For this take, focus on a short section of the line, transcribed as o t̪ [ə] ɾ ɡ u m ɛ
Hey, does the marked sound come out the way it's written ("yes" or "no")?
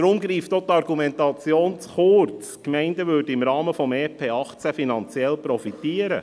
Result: no